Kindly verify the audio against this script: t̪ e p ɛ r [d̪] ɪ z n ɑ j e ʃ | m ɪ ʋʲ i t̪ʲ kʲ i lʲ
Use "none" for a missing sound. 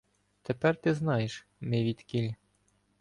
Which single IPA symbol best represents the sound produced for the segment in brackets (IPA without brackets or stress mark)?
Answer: t̪